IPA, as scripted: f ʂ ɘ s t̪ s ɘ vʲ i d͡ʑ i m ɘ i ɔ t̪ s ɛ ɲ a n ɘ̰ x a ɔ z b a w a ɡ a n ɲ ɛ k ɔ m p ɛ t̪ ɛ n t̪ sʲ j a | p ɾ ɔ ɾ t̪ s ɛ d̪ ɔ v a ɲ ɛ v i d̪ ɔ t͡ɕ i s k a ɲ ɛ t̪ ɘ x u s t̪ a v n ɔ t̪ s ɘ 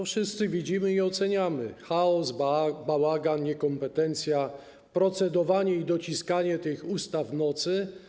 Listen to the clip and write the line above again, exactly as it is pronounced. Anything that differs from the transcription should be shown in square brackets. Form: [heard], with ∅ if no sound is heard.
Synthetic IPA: f ʂ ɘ s t̪ s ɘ vʲ i d͡ʑ i m ɘ i ɔ t̪ s ɛ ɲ a [m] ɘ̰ x a ɔ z b a w a ɡ a n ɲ ɛ k ɔ m p ɛ t̪ ɛ n t̪ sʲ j a | p ɾ ɔ [∅] t̪ s ɛ d̪ ɔ v a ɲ ɛ [∅] i d̪ ɔ t͡ɕ i s k a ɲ ɛ t̪ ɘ x u s t̪ a v n ɔ t̪ s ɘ

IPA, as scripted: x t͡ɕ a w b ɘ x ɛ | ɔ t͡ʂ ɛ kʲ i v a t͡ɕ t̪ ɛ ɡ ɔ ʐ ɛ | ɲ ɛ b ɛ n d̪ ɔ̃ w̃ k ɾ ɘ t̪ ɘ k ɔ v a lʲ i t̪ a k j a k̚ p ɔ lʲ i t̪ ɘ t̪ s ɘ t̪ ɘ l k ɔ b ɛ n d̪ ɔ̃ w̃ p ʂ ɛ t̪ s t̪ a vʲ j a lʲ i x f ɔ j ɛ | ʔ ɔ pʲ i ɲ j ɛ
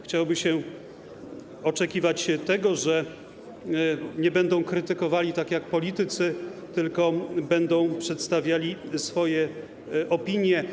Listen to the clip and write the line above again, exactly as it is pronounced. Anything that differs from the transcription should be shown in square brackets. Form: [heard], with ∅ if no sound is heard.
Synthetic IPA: x t͡ɕ a w b ɘ [ɕ] ɛ | ɔ t͡ʂ ɛ kʲ i v a t͡ɕ t̪ ɛ ɡ ɔ ʐ ɛ | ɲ ɛ b ɛ n d̪ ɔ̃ w̃ k ɾ ɘ t̪ ɘ k ɔ v a lʲ i t̪ a k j a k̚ p ɔ lʲ i t̪ ɘ t̪ s ɘ t̪ ɘ l k ɔ b ɛ n d̪ ɔ̃ w̃ p ʂ ɛ t̪ s t̪ a vʲ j a lʲ i [s] f ɔ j ɛ | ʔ ɔ pʲ i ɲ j ɛ

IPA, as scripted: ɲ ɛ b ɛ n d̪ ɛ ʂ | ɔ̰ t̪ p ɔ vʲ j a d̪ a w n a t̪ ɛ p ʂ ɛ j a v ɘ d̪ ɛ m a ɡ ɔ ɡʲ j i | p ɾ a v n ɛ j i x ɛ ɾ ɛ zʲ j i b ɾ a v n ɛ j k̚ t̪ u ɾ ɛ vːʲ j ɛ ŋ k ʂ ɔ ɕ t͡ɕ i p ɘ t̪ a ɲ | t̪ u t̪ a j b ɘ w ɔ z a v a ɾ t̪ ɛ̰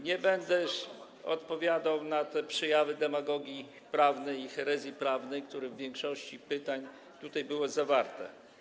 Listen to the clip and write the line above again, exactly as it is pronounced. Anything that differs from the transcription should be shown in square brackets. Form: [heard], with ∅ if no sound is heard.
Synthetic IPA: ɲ ɛ b ɛ n d̪ ɛ ʂ | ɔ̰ t̪ p ɔ vʲ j a d̪ a w n a t̪ ɛ p ʂ ɛ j a v ɘ d̪ ɛ m a ɡ ɔ ɡʲ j i | p ɾ a v n ɛ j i x ɛ ɾ ɛ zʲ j i [p] ɾ a v n ɛ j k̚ t̪ u ɾ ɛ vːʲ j ɛ ŋ k ʂ ɔ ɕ t͡ɕ i p ɘ t̪ a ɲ | t̪ u t̪ a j b ɘ w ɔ z a v a ɾ t̪ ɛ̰

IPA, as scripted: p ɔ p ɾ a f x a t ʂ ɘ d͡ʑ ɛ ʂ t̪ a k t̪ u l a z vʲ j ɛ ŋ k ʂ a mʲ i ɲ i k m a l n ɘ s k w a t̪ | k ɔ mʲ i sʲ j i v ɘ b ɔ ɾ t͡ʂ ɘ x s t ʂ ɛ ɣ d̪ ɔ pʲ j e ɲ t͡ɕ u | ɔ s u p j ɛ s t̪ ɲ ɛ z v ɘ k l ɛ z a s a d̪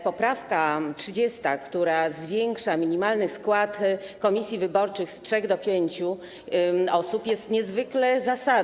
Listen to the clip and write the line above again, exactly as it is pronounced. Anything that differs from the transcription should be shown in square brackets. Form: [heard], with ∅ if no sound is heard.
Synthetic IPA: p ɔ p ɾ a f [k] a t ʂ ɘ d͡ʑ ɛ [s] t̪ a k t̪ u [ɾ] a z vʲ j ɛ ŋ k ʂ a mʲ i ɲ i [∅] m a l n ɘ s k w a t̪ | k ɔ mʲ i sʲ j i v ɘ b ɔ ɾ t͡ʂ ɘ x s t ʂ ɛ ɣ d̪ ɔ pʲ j e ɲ t͡ɕ u | ɔ s u p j ɛ s t̪ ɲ ɛ z v ɘ k l ɛ z a s a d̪

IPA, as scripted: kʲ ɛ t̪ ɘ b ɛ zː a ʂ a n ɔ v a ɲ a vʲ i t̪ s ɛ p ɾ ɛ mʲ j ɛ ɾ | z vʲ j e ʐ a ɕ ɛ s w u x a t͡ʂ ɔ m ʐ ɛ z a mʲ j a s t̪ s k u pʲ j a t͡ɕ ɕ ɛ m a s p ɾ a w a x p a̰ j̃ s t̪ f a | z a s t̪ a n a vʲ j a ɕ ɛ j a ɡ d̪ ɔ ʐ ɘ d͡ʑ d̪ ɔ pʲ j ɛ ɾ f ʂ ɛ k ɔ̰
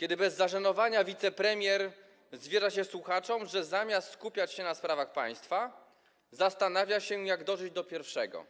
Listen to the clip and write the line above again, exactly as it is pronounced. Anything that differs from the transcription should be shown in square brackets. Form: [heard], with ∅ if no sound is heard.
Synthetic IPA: kʲ ɛ [d̪] ɘ b ɛ zː a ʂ a n ɔ v a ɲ a vʲ i t̪ s ɛ p ɾ ɛ mʲ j ɛ ɾ | z vʲ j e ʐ a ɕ ɛ s w u x a t͡ʂ ɔ m ʐ ɛ z a mʲ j a s t̪ s k u pʲ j a t͡ɕ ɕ ɛ [n] a s p ɾ a [v] a x p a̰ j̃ s t̪ f a | z a s t̪ a n a vʲ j a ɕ ɛ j a ɡ d̪ ɔ ʐ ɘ d͡ʑ d̪ ɔ pʲ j ɛ ɾ f ʂ ɛ [ɡ] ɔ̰

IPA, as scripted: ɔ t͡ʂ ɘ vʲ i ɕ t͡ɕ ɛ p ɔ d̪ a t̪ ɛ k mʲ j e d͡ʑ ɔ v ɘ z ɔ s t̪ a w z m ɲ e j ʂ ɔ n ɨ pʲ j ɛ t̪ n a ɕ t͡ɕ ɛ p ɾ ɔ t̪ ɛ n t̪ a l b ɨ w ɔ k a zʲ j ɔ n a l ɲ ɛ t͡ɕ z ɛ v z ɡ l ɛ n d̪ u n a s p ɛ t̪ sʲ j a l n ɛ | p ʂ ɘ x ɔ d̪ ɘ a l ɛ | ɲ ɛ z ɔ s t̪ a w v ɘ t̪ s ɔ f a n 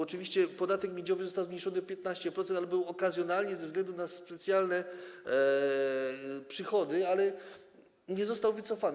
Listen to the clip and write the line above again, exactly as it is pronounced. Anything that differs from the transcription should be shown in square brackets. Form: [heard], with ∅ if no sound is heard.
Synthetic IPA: ɔ t͡ʂ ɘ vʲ i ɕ t͡ɕ ɛ p ɔ d̪ a t̪ ɛ k mʲ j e d͡ʑ ɔ v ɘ z ɔ s t̪ a w z m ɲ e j ʂ ɔ n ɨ pʲ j ɛ t̪ n a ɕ t͡ɕ ɛ p ɾ ɔ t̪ ɛ n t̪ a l b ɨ w ɔ k a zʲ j ɔ n a l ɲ ɛ [∅] z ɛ v z ɡ l ɛ n d̪ u n a s p ɛ t̪ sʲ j a l n ɛ | p ʂ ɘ x ɔ d̪ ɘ a l ɛ | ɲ ɛ z ɔ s t̪ a w v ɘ t̪ s ɔ f a n

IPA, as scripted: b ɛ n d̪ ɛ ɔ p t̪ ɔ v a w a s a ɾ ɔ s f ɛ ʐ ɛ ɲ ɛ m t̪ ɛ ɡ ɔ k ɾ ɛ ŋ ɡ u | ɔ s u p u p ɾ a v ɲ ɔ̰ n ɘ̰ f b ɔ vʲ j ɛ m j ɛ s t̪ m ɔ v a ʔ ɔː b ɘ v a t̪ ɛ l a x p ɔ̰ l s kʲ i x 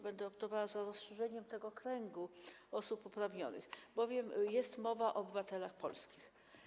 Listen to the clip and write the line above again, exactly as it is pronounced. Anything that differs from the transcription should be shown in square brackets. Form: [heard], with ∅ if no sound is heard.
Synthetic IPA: b ɛ n d̪ ɛ ɔ p t̪ ɔ v a w a [z] a ɾ ɔ s [ʂ] ɛ ʐ ɛ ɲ ɛ m t̪ ɛ ɡ ɔ k ɾ ɛ ŋ ɡ u | ɔ s u p u p ɾ a v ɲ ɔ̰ n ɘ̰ [x] b ɔ vʲ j ɛ m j ɛ s t̪ m ɔ v a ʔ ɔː b ɘ v a t̪ ɛ l a x p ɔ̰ l s kʲ i x

